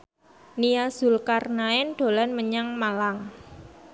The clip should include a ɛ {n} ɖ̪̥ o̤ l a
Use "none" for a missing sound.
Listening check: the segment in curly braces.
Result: n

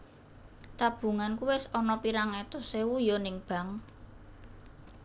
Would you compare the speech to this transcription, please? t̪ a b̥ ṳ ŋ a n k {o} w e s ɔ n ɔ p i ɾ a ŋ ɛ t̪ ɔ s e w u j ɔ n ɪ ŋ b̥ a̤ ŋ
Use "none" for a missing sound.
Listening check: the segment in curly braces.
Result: u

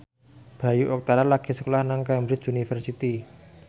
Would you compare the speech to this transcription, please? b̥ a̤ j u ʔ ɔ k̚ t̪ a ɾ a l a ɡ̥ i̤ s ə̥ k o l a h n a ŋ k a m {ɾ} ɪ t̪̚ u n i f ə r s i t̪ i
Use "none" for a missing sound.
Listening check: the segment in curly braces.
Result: ɾ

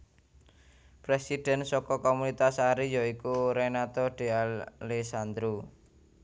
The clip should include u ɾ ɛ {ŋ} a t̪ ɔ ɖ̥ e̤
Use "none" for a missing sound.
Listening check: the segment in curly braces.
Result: n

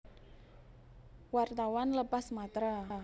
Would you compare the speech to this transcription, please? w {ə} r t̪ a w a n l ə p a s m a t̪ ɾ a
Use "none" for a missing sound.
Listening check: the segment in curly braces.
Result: a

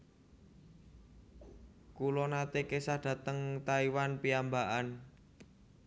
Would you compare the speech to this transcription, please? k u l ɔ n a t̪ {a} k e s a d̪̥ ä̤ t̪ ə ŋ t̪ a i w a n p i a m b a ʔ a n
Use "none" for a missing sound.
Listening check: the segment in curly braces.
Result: e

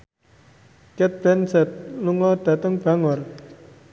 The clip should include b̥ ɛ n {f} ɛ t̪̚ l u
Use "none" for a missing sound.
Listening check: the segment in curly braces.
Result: s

